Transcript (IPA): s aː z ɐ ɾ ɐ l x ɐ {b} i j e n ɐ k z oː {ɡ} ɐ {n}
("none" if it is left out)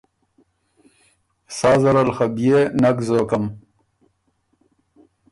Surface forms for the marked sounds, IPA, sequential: b, k, m

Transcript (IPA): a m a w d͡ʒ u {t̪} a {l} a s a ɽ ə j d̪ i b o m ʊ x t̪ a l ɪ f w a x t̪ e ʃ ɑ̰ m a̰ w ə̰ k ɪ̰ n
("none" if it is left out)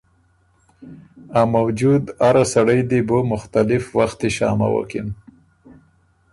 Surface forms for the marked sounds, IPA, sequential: d̪, ɾ

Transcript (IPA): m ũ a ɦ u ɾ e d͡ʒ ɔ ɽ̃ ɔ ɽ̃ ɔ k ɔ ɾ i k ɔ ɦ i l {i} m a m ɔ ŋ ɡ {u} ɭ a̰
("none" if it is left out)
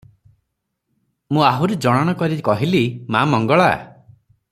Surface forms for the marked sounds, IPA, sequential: i, ɔ

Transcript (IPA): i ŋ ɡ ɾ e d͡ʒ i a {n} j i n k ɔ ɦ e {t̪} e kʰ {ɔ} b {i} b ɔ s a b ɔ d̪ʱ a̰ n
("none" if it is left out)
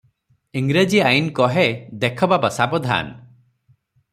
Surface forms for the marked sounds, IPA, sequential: none, d̪, ɔ, a

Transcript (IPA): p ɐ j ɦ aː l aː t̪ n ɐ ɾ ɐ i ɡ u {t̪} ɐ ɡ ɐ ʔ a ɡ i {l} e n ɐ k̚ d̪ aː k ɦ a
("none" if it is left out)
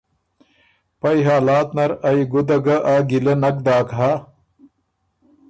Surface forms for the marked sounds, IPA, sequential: d̪, l

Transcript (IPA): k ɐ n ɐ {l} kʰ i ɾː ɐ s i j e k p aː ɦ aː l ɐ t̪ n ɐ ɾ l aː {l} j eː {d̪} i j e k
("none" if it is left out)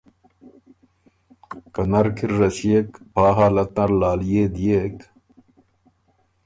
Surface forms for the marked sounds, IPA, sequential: ɾ, l, d̪

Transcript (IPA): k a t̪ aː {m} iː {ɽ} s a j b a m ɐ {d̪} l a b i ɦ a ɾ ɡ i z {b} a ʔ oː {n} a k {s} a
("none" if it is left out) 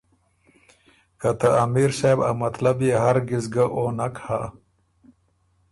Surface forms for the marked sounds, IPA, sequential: m, ɾ, t̪, ɡ, n, h

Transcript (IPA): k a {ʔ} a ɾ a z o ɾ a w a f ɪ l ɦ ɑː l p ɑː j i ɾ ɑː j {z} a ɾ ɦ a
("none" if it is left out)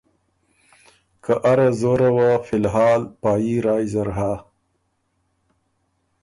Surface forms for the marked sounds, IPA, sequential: ʔ, z

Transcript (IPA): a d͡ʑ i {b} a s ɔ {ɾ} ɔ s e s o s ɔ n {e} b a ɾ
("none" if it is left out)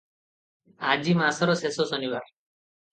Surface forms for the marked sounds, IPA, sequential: m, ɾ, i

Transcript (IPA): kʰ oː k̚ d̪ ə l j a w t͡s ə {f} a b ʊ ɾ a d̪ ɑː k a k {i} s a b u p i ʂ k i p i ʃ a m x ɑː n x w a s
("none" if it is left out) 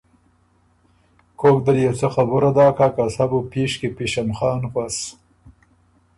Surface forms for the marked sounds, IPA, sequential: x, a

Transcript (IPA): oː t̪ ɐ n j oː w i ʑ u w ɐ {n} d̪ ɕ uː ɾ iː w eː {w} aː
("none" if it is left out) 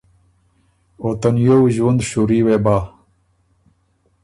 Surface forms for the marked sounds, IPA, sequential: n, b

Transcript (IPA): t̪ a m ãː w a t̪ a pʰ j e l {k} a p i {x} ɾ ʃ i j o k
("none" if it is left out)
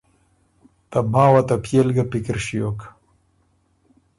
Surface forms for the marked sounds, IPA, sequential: ɡ, k

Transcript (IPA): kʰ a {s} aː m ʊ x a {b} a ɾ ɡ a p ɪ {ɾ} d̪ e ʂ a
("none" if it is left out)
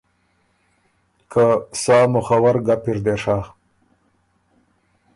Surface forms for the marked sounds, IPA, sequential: s, w, ɾ

